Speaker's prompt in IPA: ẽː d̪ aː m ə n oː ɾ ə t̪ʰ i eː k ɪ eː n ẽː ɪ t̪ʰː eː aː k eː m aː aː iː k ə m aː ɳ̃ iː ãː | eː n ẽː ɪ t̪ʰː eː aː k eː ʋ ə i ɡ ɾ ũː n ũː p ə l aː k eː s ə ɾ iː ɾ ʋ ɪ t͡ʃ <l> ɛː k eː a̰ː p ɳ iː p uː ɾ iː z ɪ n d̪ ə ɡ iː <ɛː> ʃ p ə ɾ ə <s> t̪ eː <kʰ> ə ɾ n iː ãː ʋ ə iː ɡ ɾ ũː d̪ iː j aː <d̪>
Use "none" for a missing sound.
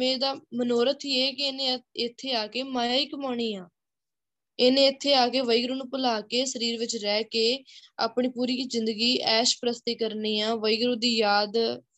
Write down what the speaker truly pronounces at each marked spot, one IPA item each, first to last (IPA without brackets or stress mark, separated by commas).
ɾ, ɛː, s, k, d̪